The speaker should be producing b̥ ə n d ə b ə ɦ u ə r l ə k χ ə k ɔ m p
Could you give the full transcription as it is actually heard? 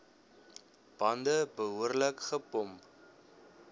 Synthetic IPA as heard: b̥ ɐ n d ə b ə ɦ u ə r l ə k χ ə p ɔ m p